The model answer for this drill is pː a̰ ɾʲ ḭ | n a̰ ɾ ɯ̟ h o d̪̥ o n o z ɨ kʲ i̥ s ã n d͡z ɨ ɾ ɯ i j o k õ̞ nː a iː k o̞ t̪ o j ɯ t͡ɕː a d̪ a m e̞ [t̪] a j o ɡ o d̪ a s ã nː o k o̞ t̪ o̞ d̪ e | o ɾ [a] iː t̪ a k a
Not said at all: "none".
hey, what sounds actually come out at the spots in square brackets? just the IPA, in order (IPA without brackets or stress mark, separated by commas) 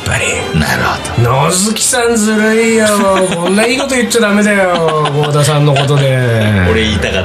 d̪, e